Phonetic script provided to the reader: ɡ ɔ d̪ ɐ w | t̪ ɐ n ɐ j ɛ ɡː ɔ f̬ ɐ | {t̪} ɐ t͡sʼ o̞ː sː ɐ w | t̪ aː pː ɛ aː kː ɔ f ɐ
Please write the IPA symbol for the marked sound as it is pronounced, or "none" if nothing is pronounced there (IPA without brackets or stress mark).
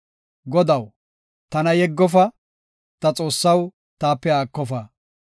t̪